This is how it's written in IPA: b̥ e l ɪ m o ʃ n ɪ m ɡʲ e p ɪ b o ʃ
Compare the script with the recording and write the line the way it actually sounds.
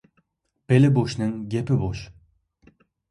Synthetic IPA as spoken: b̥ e l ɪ b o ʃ n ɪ ŋ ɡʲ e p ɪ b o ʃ